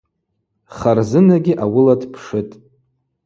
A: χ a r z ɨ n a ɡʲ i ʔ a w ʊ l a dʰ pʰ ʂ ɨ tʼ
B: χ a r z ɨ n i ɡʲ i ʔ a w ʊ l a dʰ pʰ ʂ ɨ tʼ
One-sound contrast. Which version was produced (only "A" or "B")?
A